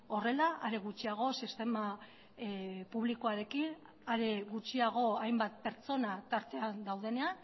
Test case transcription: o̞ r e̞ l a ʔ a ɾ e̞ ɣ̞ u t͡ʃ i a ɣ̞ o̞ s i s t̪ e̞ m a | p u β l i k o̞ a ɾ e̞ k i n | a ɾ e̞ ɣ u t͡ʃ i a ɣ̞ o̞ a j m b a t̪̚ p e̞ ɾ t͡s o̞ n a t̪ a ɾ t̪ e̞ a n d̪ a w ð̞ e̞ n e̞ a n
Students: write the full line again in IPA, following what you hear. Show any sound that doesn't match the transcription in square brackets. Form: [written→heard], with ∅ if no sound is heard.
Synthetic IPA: o̞ r e̞ l a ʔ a ɾ e̞ ɣ̞ u t͡ʃ i a ɣ̞ o̞ s i s t̪ e̞ m a | p u β l i k o̞ a ɾ e̞ k i n | a ɾ e̞ ɣ u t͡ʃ i a ɣ̞ o̞ a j m b a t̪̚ p e̞ ɾ t͡s o̞ n a t̪ a ɾ t̪ e̞ a n d̪ a w ð̞ e̞ n e̞ a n

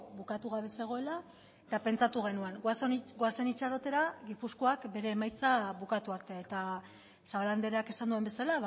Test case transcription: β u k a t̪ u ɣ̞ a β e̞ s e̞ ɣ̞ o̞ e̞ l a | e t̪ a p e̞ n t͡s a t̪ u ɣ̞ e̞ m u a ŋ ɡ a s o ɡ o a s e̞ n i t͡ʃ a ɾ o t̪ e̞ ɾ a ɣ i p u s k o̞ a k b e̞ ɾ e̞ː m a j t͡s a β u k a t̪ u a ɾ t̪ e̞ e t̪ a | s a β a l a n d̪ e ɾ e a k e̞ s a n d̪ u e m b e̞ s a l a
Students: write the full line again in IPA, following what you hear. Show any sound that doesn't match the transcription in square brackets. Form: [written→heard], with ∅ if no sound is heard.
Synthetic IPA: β u k a t̪ u ɣ̞ a β e̞ s e̞ ɣ̞ o̞ e̞ l a | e t̪ a p e̞ n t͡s a t̪ u ɣ̞ e̞ [m→n] u a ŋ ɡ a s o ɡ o a s e̞ n i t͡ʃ a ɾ o t̪ e̞ ɾ a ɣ i p u s k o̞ a k b e̞ ɾ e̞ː m a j t͡s a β u k a t̪ u a ɾ t̪ e̞ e t̪ a | s a β a l a n d̪ e ɾ e a k e̞ s a n d̪ u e m b e̞ s a l a

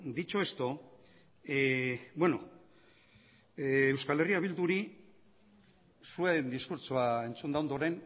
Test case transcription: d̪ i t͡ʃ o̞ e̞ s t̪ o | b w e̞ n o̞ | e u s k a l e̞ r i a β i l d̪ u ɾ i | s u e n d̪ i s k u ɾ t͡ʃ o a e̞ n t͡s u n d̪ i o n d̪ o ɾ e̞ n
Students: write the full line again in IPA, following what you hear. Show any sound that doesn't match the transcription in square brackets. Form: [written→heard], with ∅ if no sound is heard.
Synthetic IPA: d̪ i t͡ʃ o̞ e̞ s t̪ o | b w e̞ n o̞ | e [u→w] s k a l e̞ r i a β i l d̪ u ɾ i | s u e n d̪ i s k u ɾ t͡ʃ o a e̞ n t͡s u n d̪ [i→a] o n d̪ o ɾ e̞ n

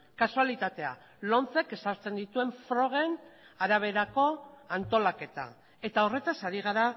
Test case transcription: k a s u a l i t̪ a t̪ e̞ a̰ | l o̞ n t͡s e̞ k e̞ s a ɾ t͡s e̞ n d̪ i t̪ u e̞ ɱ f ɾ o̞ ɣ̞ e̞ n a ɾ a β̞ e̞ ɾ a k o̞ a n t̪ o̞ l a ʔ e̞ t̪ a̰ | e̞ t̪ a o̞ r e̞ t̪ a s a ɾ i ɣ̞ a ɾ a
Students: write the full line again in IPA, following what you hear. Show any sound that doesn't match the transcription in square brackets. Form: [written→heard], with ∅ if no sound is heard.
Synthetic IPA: k a s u a l i t̪ a t̪ e̞ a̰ | l o̞ n t͡s e̞ k e̞ s a ɾ t͡s e̞ n d̪ i t̪ u e̞ ɱ f ɾ o̞ ɣ̞ e̞ n a ɾ a β̞ e̞ ɾ a k o̞ a n t̪ o̞ l a [ʔ→k] e̞ t̪ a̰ | e̞ t̪ a o̞ r e̞ t̪ a s a ɾ i ɣ̞ a ɾ a

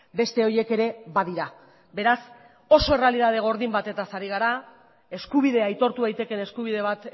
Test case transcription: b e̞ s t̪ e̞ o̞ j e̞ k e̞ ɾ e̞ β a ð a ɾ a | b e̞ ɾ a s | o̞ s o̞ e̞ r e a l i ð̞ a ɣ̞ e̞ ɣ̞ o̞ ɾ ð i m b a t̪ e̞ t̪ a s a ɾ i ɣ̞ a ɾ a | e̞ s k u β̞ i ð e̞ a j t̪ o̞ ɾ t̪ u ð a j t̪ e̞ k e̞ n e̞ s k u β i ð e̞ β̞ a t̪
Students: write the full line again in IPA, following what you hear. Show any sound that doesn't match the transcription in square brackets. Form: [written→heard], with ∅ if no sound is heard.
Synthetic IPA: b e̞ s t̪ e̞ o̞ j e̞ k e̞ ɾ e̞ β a ð [a→i] ɾ a | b e̞ ɾ a s | o̞ s o̞ e̞ r e a l i ð̞ a [ɣ̞→ð̞] e̞ ɣ̞ o̞ ɾ ð i m b a t̪ e̞ t̪ a s a ɾ i ɣ̞ a ɾ a | e̞ s k u β̞ i ð e̞ a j t̪ o̞ ɾ t̪ u ð a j t̪ e̞ k e̞ n e̞ s k u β i ð e̞ β̞ a t̪

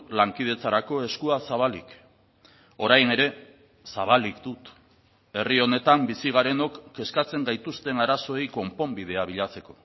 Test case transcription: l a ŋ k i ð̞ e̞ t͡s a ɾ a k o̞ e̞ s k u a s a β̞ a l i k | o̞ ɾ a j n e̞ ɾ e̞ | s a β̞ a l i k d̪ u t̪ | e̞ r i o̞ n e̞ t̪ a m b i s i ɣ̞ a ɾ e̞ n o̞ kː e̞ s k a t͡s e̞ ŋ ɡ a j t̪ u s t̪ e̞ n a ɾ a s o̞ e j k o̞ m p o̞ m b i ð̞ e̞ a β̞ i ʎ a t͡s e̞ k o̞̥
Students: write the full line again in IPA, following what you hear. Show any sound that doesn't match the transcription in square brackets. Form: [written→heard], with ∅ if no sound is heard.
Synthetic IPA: l a ŋ k i ð̞ e̞ t͡s a ɾ a k o̞ e̞ s k u a s a β̞ a l i k | o̞ ɾ a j n e̞ ɾ e̞ | s a β̞ a l i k d̪ u t̪ | e̞ r i o̞ n e̞ t̪ a m b i s i ɣ̞ a ɾ e̞ n o̞ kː e̞ s k a t͡s e̞ ŋ ɡ a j t̪ u s t̪ e̞ n a ɾ a s o̞ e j k o̞ m p o̞ m b i ð̞ e̞ a β̞ i ʎ a t͡s e̞ k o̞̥

